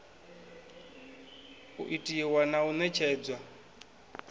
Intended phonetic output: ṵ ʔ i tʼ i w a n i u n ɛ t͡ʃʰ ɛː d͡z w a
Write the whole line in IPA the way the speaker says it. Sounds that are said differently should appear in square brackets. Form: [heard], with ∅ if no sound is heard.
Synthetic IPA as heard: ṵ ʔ i tʼ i w a n [a] u n ɛ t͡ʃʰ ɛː d͡z w a

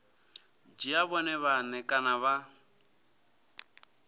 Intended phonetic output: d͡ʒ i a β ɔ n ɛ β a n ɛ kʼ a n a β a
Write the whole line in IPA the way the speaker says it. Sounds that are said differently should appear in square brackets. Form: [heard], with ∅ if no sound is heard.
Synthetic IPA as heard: d͡ʒ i a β ɔ n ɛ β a n ɛ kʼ a n a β a

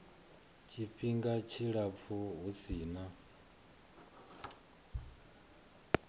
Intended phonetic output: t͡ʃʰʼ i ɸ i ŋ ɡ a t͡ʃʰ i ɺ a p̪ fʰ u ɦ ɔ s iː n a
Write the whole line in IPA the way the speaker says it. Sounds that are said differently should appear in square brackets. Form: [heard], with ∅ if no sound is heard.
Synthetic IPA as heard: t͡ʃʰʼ i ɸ i ŋ ɡ a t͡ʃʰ i ɺ a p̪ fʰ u ɦ [u] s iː n a

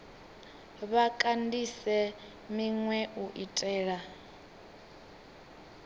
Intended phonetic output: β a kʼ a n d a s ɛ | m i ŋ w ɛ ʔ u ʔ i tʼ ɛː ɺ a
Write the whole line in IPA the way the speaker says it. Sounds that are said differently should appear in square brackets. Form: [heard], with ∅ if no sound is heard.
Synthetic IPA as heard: β a kʼ a n d [i] s ɛ | m i ŋ w ɛ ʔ u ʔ i tʼ ɛː ɺ a

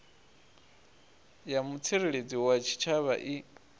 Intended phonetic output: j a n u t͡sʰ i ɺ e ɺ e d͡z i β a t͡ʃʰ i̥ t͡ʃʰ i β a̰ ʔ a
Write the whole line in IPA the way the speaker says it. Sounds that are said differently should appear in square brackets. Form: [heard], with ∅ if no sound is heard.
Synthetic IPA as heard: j a [m] u t͡sʰ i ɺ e ɺ e d͡z i [w] a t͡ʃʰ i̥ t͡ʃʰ [a] β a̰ ʔ [i]

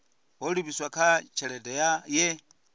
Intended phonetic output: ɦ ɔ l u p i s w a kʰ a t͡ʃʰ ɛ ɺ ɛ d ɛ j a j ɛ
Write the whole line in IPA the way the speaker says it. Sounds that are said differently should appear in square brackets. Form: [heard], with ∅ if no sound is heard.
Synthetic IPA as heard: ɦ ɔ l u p i s w a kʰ a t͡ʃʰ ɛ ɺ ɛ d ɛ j a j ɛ

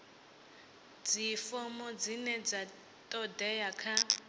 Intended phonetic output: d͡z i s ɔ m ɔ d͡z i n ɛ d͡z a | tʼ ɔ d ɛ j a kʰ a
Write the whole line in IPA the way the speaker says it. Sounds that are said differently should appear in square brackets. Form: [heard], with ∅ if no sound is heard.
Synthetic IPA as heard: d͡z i [f] ɔ m ɔ d͡z i n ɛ d͡z a | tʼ ɔ d ɛ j a kʰ a

